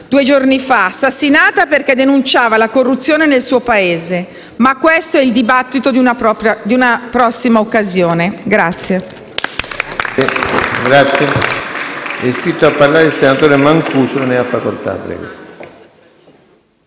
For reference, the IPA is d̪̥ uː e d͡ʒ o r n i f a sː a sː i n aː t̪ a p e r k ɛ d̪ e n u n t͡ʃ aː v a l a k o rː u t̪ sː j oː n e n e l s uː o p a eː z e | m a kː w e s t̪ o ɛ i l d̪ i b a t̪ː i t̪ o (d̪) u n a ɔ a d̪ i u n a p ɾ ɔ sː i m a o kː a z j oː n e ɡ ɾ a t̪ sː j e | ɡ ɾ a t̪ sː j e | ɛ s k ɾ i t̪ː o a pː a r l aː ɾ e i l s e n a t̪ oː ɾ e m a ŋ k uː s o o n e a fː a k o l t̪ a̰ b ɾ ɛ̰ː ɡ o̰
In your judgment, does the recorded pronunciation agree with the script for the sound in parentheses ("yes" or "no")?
yes